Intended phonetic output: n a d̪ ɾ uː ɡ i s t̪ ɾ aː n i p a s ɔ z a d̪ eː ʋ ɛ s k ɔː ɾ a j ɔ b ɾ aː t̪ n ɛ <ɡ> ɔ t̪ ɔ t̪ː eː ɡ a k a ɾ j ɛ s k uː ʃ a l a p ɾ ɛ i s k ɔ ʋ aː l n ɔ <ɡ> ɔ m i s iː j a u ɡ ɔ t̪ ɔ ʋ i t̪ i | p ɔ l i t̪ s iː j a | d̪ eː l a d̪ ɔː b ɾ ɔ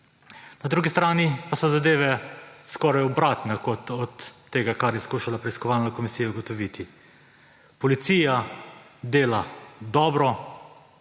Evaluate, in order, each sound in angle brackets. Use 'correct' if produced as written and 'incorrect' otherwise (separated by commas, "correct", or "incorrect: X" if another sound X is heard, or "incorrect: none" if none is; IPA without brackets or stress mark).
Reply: incorrect: k, incorrect: k